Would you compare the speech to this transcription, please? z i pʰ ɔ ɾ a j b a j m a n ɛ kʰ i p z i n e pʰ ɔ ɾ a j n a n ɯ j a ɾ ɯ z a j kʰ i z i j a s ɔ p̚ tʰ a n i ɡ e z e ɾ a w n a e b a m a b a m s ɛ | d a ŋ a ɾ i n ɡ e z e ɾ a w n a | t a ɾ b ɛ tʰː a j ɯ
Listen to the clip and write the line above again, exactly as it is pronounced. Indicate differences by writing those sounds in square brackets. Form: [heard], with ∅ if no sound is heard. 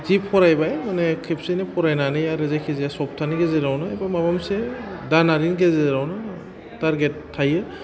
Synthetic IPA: z i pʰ ɔ ɾ a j b a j m a n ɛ kʰ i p [s] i n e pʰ ɔ ɾ a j n a n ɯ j a ɾ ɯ z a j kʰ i z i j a s ɔ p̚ tʰ a n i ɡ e z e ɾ a w n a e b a m a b a m s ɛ | d a [n] a ɾ i n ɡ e z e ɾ a w n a | t a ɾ [ɡ] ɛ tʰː a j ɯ